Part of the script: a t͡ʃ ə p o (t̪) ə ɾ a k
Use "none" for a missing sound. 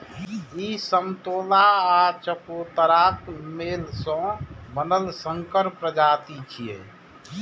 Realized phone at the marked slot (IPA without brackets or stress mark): t̪